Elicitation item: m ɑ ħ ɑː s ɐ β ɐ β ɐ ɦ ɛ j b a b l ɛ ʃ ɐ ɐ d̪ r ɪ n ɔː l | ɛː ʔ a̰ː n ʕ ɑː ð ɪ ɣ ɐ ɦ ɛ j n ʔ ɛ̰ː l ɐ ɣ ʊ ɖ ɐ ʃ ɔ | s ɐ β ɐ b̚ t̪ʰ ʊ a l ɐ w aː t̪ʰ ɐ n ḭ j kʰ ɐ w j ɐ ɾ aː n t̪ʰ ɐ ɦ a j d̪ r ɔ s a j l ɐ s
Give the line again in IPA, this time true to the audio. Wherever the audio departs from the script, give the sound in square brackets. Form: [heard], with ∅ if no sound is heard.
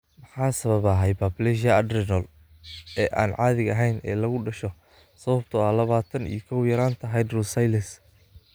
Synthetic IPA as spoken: m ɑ ħ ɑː s ɐ β ɐ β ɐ ɦ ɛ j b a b l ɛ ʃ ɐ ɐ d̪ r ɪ n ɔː l | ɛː ʔ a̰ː n ʕ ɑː ð ɪ ɣ ɐ ɦ ɛ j n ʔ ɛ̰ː l ɐ ɣ ʊ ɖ ɐ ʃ ɔ | s ɐ β ɐ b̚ t̪ʰ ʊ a l ɐ [β] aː t̪ʰ ɐ n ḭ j kʰ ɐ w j ɐ ɾ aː n t̪ʰ ɐ ɦ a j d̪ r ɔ s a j l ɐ s